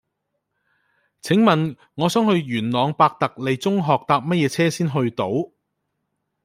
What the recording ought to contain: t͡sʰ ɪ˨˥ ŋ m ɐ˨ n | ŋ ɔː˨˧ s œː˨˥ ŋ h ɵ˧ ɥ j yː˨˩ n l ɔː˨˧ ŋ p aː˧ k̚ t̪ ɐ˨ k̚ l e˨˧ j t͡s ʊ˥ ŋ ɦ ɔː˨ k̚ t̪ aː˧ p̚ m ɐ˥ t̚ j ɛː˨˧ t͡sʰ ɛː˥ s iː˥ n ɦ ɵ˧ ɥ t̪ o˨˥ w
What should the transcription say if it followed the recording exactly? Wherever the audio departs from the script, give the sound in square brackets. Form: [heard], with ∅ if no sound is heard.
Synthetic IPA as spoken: t͡sʰ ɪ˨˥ ŋ m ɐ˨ n | ŋ ɔː˨˧ s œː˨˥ ŋ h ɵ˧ ɥ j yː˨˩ n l ɔː˨˧ ŋ p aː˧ k̚ t̪ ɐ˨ k̚ l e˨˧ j t͡s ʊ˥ ŋ ɦ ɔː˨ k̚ t̪ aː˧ p̚ m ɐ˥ t̚ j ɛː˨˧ t͡sʰ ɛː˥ s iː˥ n ɦ ɵ˧ ɥ t̪ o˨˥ w